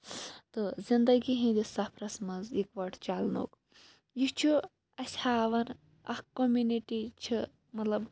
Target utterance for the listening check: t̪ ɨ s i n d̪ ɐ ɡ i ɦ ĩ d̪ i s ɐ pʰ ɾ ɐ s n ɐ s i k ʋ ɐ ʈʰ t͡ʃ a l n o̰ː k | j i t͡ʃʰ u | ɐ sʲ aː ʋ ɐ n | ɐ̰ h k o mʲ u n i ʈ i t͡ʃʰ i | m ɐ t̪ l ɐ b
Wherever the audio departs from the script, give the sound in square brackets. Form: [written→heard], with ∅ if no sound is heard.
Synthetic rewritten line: t̪ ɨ [s→z] i n d̪ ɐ ɡ i ɦ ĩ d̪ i s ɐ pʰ ɾ ɐ s [n→m] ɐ [s→z] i k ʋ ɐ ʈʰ t͡ʃ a l n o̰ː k | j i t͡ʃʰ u | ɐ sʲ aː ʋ ɐ n | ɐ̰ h k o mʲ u n i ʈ i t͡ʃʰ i | m ɐ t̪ l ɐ b